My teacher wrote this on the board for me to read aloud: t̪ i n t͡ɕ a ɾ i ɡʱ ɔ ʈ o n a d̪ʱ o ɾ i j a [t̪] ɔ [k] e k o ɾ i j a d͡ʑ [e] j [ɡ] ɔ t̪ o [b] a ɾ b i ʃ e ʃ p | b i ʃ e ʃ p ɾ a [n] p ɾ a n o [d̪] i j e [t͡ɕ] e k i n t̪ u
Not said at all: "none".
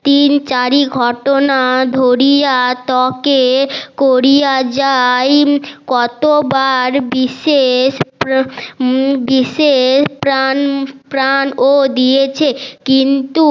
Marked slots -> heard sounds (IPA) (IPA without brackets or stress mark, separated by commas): t̪, k, a, k, b, n, d̪, t͡ɕʰ